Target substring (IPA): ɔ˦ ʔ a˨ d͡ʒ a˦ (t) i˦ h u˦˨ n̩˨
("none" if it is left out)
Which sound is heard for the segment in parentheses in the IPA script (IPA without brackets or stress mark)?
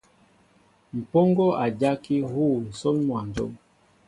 k